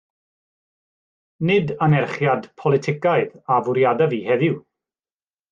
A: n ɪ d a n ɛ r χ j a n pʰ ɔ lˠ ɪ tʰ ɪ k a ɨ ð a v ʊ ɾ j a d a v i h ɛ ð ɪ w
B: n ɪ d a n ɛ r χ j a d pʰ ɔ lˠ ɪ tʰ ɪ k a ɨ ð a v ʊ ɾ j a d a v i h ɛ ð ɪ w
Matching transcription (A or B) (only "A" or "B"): B